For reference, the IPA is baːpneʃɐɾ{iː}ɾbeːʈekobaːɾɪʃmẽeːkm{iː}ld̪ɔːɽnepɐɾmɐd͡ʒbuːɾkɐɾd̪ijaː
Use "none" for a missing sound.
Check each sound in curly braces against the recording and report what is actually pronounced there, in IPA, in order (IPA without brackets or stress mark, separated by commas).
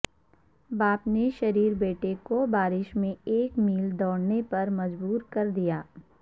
iː, iː